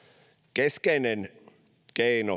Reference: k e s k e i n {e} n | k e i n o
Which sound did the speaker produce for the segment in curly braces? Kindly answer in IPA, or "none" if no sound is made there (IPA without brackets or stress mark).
e